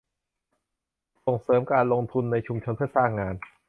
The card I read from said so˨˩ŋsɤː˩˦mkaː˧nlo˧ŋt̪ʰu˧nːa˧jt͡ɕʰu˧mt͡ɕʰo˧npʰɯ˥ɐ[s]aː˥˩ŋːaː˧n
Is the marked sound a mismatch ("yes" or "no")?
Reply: no